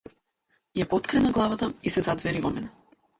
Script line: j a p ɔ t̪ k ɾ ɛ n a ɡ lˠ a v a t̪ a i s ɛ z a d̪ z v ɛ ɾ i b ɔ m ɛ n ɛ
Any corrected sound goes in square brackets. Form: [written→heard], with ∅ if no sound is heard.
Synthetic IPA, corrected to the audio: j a p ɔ t̪ k ɾ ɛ n a ɡ lˠ a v a t̪ a i s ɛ z a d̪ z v ɛ ɾ i [b→v] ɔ m ɛ n ɛ